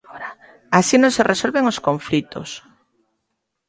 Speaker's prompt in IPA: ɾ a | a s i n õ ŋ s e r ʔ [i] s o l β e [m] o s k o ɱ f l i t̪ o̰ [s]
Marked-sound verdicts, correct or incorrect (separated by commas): incorrect, incorrect, correct